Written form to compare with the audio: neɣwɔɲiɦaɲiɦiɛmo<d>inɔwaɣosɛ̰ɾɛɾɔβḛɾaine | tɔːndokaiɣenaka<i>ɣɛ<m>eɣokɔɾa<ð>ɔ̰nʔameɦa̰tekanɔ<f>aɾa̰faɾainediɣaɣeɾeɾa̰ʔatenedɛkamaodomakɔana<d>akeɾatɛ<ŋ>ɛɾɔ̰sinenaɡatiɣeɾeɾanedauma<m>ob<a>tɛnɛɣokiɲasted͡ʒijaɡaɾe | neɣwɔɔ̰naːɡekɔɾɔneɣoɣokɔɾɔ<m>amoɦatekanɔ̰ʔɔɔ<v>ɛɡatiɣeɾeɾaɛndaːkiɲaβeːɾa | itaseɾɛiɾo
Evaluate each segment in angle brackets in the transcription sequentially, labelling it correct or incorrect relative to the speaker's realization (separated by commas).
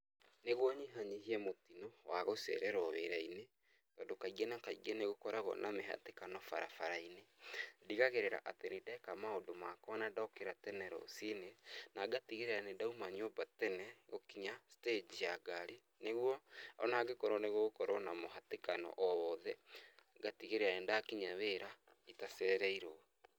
incorrect, correct, incorrect, incorrect, correct, correct, incorrect, incorrect, correct, incorrect, incorrect